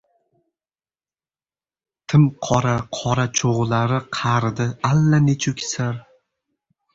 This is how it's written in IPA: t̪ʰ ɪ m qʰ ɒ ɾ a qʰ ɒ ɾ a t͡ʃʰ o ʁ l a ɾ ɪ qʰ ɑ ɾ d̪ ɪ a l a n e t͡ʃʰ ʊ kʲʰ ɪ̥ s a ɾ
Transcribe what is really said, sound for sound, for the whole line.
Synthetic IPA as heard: t̪ʰ ɪ m qʰ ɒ ɾ a qʰ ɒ ɾ a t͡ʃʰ o ʁ l a ɾ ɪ qʰ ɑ ɾ d̪ ɪ a lː a n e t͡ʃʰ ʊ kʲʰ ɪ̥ s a ɾ